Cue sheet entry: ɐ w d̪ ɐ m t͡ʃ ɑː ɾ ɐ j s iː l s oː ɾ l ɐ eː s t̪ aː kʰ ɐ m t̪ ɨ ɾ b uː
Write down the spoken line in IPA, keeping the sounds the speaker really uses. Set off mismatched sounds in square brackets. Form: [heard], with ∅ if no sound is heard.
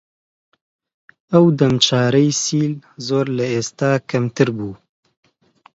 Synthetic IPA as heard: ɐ w d̪ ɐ m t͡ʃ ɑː ɾ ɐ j s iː l [z] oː ɾ l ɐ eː s t̪ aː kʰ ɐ m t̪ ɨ ɾ b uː